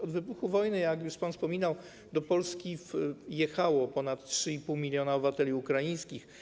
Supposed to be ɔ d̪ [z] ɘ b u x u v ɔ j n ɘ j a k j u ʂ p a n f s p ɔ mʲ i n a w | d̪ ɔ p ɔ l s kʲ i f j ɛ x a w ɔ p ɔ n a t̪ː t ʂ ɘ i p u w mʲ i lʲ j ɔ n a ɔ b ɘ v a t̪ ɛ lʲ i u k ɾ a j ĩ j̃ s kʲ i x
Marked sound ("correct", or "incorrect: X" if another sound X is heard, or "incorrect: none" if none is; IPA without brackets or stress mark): incorrect: v